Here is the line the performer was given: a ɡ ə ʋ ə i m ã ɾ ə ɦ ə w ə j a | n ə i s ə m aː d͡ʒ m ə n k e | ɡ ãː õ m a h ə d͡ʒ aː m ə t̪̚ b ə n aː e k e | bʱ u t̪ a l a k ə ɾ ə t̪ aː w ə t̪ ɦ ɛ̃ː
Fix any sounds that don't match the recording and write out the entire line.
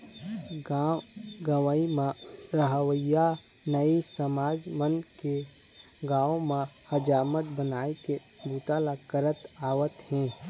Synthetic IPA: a ɡ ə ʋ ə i m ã ɾ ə ɦ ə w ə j a | n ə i s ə m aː d͡ʒ m ə n k e | ɡ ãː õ m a h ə d͡ʒ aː m ə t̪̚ b ə n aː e k e | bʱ u t̪ a l a k ə ɾ ə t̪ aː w ə t̪ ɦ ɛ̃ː